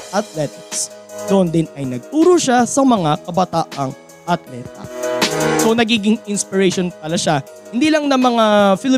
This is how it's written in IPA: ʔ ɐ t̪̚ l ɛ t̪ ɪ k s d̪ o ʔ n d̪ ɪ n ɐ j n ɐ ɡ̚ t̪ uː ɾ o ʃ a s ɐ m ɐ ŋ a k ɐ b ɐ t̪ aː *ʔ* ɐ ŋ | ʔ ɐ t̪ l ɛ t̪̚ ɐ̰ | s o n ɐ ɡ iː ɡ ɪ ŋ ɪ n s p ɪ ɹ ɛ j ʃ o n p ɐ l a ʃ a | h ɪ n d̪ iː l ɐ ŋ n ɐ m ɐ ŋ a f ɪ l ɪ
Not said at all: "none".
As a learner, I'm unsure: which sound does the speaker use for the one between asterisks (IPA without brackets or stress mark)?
ʔ